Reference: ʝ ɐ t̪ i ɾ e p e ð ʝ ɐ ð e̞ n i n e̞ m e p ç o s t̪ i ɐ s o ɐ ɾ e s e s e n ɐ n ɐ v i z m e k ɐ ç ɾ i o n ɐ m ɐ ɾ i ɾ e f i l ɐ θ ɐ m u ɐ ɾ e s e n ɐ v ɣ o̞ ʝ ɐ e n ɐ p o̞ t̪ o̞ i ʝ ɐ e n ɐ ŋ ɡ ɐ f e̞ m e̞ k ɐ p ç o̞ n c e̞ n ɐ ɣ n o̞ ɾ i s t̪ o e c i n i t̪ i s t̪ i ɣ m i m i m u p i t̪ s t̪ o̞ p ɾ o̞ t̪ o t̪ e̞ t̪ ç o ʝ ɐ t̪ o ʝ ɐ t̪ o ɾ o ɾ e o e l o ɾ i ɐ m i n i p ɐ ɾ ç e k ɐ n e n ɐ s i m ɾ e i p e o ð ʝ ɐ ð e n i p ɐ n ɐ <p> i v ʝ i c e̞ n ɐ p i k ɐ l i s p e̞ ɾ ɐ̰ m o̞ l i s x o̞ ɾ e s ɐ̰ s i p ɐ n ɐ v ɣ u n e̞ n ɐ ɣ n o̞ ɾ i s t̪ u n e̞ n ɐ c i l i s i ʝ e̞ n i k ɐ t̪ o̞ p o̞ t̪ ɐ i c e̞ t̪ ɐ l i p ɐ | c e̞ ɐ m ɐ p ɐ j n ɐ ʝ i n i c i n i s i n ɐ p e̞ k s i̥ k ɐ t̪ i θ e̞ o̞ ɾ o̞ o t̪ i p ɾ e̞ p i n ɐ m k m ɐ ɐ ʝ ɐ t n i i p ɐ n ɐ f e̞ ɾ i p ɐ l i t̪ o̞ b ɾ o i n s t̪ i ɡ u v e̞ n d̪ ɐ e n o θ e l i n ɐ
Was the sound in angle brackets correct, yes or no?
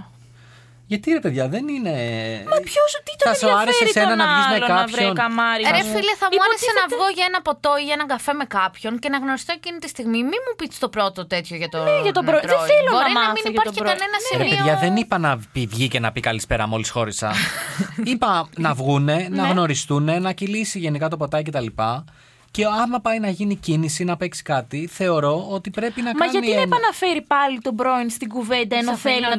yes